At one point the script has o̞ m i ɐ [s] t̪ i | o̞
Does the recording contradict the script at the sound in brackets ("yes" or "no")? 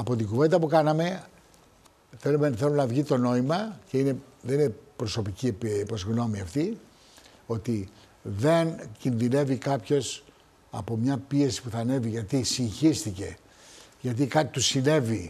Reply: yes